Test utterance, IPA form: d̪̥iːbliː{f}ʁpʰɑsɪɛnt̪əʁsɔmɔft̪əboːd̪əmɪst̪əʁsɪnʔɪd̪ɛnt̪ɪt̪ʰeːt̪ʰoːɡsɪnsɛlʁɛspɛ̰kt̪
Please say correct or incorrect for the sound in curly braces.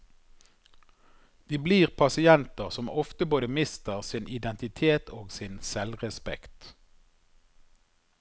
incorrect